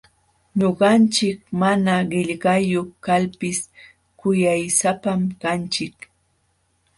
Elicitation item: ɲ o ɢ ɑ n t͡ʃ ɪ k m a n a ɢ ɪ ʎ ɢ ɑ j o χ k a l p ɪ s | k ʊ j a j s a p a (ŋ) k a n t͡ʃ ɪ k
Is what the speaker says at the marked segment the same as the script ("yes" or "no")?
no